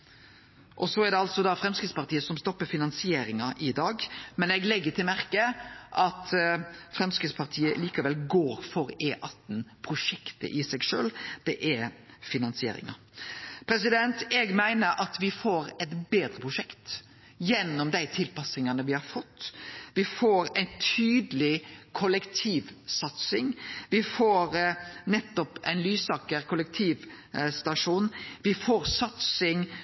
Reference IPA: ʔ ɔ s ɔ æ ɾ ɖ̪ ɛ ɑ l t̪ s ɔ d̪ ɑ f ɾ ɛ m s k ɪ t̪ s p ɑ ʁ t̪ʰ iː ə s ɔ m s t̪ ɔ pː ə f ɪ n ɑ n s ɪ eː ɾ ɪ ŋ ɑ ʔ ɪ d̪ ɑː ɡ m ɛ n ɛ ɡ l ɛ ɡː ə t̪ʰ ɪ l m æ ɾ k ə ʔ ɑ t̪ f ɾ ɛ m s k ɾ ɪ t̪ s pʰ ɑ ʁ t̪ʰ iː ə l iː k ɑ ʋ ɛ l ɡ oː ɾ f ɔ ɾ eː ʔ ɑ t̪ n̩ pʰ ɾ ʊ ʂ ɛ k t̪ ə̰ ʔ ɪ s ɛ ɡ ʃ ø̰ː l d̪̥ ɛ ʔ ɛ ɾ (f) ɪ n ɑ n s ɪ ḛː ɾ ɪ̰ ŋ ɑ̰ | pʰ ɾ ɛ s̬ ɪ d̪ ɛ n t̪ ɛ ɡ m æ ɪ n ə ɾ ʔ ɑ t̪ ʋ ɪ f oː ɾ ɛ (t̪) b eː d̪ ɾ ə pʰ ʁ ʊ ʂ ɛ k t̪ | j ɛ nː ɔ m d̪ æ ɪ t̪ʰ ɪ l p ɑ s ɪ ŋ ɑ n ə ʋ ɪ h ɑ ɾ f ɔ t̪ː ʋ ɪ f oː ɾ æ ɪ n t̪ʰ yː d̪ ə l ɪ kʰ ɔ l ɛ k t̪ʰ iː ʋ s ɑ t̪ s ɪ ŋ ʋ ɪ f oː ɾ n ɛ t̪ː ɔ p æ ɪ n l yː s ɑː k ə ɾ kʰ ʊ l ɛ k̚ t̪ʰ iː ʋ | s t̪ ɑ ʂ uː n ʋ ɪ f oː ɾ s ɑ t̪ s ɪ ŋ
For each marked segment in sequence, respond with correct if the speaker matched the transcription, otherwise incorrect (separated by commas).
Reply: correct, correct